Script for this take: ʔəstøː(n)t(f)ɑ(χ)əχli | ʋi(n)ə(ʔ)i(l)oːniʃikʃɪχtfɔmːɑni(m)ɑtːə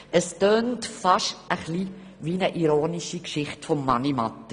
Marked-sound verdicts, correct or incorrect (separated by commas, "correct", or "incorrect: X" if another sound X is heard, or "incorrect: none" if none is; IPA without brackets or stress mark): correct, correct, incorrect: ʃ, correct, correct, incorrect: ɾ, correct